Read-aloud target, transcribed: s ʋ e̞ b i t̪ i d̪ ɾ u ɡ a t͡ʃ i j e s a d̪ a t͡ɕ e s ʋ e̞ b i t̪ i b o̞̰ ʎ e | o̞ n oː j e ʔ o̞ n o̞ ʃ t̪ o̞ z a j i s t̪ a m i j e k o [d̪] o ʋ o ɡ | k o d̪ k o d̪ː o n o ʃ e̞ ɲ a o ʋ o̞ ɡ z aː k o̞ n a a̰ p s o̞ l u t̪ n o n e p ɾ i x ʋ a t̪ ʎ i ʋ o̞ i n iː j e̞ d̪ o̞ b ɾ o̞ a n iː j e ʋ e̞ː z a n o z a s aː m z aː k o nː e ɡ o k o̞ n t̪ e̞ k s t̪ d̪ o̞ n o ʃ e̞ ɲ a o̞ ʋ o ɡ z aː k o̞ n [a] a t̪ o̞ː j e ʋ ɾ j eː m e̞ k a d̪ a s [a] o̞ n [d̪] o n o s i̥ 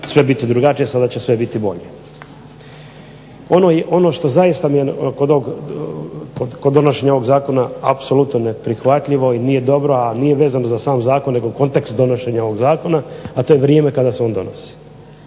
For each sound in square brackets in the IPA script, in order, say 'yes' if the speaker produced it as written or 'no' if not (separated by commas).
yes, yes, no, yes